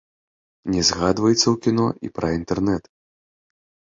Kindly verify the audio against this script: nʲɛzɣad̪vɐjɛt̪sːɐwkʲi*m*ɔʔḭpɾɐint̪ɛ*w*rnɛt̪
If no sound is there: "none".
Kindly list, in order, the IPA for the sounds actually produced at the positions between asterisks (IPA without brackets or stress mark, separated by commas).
n, none